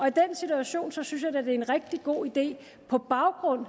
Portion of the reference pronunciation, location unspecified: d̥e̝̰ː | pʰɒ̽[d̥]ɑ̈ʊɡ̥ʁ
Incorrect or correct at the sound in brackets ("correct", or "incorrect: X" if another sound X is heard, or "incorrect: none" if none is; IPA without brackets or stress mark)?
incorrect: b̥